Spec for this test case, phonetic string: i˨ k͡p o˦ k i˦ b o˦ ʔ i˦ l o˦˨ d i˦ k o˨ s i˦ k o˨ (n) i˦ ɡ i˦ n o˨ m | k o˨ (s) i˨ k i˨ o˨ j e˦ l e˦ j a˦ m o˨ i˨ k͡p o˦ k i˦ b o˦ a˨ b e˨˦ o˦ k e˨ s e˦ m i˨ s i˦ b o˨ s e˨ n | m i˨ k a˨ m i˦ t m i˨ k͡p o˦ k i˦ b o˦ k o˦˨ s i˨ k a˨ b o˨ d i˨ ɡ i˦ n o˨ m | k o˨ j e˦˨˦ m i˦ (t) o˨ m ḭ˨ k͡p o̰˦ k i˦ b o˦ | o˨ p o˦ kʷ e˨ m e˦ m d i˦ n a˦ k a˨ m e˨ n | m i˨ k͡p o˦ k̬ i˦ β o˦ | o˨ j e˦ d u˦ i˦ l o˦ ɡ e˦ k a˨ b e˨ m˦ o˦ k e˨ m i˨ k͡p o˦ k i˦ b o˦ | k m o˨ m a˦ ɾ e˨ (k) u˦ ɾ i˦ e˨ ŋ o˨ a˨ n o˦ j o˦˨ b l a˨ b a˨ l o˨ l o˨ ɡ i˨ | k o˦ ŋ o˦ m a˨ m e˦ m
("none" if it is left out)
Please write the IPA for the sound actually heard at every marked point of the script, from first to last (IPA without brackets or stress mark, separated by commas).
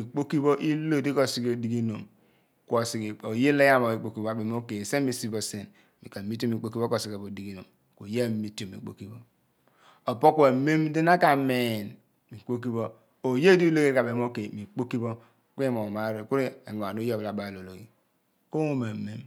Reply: d, s, t, k